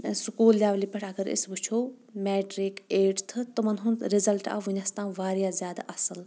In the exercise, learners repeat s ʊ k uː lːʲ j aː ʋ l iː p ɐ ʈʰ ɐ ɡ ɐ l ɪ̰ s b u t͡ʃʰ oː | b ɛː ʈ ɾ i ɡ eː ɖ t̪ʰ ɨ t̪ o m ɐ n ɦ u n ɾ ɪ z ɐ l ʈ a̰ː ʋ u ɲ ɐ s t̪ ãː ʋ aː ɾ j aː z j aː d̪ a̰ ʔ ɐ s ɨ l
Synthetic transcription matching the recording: s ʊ k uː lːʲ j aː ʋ l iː p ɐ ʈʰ ɐ ɡ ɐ ɾ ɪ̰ s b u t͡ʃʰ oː | m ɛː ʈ ɾ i k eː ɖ t̪ʰ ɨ t̪ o m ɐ n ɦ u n ɾ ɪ z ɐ l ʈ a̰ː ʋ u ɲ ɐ s t̪ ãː ʋ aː ɾ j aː z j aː d̪ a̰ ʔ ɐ s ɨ l